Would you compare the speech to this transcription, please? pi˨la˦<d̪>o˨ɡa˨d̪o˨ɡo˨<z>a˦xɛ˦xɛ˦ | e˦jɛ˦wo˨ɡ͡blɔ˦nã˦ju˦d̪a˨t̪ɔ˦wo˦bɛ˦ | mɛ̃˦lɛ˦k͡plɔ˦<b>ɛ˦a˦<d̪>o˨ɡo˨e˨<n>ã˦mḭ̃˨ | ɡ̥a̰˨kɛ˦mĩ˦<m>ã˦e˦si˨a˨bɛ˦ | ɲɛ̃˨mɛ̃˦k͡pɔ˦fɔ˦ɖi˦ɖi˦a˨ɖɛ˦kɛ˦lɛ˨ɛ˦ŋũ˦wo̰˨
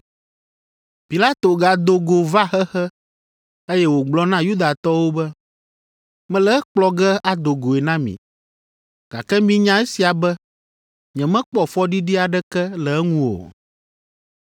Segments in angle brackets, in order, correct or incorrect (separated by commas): incorrect, incorrect, incorrect, correct, correct, incorrect